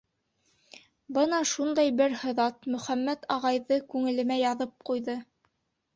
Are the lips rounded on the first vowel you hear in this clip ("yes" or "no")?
no